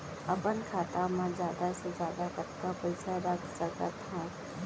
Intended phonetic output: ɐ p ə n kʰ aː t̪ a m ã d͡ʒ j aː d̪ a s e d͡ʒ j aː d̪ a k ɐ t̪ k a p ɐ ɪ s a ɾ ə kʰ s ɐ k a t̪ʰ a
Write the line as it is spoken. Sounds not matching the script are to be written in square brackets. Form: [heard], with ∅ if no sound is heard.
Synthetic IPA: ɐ p ə n kʰ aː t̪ a m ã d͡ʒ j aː d̪ a s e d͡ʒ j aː d̪ a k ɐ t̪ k a p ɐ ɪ s a ɾ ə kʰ s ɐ k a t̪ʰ a